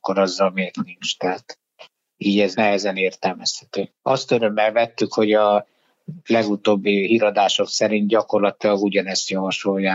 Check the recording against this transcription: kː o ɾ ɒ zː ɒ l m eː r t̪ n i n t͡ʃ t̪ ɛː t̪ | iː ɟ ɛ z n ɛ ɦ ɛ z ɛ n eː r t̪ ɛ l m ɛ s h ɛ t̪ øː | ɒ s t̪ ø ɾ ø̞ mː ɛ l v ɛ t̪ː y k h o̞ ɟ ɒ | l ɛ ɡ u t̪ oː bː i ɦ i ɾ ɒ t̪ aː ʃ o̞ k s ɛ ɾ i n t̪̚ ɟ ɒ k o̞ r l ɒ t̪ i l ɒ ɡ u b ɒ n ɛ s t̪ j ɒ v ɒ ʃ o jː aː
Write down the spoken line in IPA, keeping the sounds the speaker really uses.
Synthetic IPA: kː o ɾ ɒ zː ɒ l m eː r t̪ n i n t͡ʃ t̪ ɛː t̪ | iː ɟ ɛ z n ɛ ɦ ɛ z ɛ n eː r t̪ ɛ l m ɛ s h ɛ t̪ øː | ɒ s t̪ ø ɾ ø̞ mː ɛ l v ɛ t̪ː y k h o̞ ɟ ɒ | l ɛ ɡ u t̪ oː bː i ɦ i ɾ ɒ d̪ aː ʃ o̞ k s ɛ ɾ i n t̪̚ ɟ ɒ k o̞ r l ɒ t̪ i l ɒ ɡ u ɟ ɒ n ɛ s t̪ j ɒ v ɒ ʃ o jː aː